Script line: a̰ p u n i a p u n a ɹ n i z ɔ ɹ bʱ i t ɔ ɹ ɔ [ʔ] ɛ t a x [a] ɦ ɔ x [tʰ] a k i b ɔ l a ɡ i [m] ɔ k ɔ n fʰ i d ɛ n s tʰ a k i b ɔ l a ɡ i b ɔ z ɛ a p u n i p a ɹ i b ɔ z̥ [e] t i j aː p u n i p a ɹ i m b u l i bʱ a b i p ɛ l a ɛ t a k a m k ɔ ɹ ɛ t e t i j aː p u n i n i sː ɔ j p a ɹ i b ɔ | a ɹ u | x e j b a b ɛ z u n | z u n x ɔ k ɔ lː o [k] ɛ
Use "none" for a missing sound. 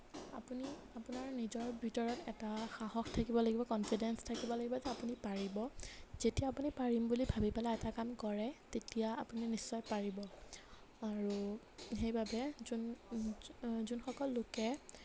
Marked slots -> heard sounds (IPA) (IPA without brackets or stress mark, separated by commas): t, a, tʰ, b, e, k